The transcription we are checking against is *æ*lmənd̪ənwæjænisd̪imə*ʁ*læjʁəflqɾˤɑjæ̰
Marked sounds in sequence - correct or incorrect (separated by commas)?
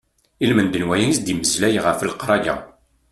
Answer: incorrect, incorrect